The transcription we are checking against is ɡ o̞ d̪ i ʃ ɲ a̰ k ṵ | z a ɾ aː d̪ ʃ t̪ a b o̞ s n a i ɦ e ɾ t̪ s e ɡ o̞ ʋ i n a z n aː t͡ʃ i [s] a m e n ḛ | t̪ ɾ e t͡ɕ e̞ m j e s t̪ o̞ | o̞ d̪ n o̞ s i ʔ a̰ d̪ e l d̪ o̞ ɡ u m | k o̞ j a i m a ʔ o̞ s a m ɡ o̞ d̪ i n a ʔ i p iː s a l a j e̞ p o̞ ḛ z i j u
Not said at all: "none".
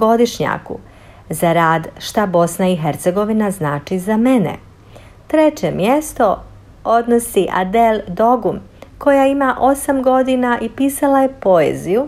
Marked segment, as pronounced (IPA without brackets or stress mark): z